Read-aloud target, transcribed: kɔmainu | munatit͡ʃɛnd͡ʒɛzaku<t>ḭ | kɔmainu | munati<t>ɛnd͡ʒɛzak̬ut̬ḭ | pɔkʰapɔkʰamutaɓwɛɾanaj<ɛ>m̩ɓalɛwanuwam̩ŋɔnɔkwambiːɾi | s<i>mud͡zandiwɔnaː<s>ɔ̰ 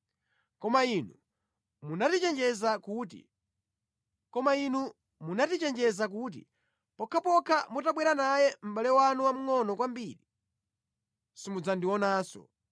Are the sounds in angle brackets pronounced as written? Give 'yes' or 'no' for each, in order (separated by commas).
yes, no, yes, yes, yes